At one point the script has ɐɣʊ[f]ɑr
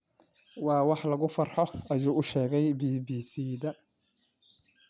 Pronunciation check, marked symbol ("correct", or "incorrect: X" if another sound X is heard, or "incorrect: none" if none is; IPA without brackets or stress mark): correct